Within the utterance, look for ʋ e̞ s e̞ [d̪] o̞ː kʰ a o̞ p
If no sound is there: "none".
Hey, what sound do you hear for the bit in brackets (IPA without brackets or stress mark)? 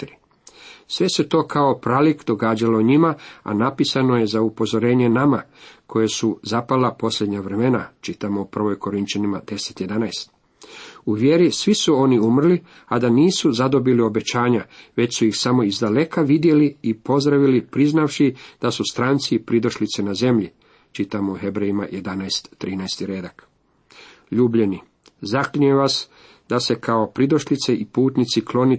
t̪